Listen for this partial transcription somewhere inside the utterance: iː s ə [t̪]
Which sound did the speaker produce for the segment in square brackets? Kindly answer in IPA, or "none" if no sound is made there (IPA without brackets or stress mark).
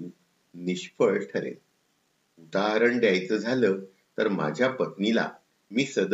d̪